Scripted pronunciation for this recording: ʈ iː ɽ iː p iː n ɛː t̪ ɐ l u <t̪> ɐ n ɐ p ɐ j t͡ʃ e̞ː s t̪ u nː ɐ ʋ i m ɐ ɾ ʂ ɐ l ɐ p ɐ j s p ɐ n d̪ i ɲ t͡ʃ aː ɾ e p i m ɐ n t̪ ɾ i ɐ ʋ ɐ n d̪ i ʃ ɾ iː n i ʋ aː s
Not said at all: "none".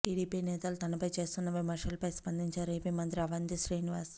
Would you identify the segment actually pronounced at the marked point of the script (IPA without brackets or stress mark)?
t̪